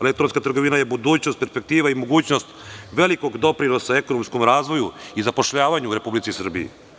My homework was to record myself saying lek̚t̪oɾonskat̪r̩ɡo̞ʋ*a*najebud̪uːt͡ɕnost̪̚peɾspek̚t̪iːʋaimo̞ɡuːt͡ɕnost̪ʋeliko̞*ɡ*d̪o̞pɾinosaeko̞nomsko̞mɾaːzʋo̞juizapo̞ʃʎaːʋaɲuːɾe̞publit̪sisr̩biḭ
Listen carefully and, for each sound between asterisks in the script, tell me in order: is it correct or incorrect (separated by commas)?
incorrect, correct